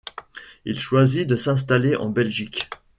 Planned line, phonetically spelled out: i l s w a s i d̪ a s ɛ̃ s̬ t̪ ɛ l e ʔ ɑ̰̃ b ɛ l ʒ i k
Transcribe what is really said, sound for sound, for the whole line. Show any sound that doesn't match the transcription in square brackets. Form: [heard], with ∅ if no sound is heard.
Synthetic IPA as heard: i l [ʃ] w a [z] i d̪ [ə] s ɛ̃ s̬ t̪ [a] l e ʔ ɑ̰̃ b ɛ l ʒ i k